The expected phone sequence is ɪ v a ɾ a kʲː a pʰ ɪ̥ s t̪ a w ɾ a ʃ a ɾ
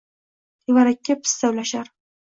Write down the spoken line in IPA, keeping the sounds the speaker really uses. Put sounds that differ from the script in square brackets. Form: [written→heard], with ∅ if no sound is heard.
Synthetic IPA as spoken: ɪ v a ɾ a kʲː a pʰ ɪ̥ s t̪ a w [ɾ→l] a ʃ a ɾ

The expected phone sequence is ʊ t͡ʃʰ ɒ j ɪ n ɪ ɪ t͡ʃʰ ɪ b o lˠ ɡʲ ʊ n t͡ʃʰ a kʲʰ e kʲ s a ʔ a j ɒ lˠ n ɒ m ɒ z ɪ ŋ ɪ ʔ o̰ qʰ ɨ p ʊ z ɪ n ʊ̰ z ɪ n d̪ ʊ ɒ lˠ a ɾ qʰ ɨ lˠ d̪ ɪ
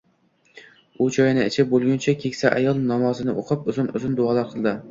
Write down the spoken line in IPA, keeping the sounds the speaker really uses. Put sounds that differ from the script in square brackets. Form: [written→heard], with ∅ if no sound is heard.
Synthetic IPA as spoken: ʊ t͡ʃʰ ɒ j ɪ n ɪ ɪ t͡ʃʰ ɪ b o lˠ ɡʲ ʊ n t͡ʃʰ a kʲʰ e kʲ s a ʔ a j ɒ lˠ n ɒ m ɒ z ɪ [ŋ→n] ɪ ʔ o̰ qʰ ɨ p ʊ z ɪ n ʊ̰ z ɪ n d̪ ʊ ɒ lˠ a ɾ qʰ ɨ lˠ d̪ ɪ

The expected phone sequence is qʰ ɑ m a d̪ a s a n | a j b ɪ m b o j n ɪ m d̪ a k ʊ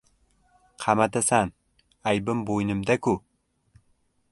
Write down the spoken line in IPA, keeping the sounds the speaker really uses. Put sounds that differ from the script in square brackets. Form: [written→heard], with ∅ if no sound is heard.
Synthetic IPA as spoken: qʰ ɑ m a [d̪→t̪] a s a n | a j b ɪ m b o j n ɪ m d̪ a k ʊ

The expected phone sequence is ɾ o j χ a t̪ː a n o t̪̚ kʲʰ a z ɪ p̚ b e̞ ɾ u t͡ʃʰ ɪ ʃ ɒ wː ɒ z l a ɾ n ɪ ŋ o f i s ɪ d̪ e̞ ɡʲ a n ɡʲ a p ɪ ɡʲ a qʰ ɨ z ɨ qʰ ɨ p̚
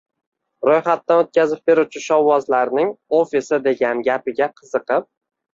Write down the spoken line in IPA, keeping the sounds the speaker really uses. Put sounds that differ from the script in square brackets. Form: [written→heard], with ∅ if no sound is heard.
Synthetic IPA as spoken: ɾ o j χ a t̪ː a n o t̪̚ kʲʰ a z ɪ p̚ b e̞ ɾ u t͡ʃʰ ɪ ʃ ɒ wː ɒ z l a ɾ n ɪ ŋ o f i s ɪ d̪ e̞ ɡʲ a n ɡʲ a p ɪ ɡʲ a qʰ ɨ z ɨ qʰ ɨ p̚

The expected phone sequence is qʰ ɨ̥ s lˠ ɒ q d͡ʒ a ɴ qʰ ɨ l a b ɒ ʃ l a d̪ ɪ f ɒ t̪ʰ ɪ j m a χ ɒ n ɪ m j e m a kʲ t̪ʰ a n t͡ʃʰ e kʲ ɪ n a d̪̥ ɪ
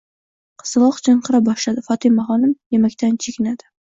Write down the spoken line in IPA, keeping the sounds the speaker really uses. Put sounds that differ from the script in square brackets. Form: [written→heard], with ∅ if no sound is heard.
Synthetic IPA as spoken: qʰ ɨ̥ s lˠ ɒ q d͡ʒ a ɴ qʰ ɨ [l→ɾ] a b ɒ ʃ l a d̪ ɪ f ɒ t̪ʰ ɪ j m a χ ɒ n ɪ m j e m a kʲ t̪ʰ a n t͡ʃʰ e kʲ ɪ n a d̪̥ ɪ

